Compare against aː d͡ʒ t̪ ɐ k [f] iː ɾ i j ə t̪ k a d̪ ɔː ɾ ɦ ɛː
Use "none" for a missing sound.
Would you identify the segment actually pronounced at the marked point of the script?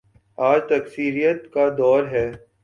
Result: s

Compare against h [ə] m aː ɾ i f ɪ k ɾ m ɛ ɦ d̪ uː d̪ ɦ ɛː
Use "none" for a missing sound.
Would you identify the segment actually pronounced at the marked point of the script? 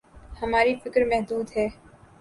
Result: ɐ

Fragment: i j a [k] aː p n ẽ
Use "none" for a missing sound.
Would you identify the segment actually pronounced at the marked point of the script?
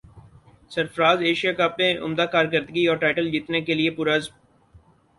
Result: k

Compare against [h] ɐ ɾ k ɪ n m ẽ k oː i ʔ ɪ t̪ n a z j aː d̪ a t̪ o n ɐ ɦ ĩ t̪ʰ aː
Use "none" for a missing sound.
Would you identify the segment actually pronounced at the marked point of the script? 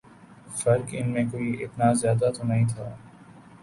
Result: f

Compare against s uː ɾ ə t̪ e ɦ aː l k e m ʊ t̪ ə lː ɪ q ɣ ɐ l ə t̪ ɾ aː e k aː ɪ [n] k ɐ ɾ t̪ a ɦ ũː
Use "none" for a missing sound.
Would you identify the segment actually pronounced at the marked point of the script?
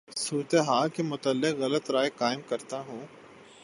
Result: m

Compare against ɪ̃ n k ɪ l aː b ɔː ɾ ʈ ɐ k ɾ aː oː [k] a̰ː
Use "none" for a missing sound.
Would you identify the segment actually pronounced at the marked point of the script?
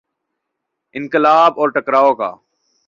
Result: k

